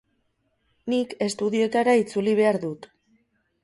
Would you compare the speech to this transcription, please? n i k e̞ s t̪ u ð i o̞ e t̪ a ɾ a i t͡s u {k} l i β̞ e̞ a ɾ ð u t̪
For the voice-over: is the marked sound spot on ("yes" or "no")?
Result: no